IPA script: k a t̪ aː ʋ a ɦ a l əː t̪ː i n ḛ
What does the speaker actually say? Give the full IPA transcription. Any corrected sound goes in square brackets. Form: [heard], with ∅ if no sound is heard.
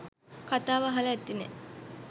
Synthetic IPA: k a t̪ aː ʋ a ɦ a l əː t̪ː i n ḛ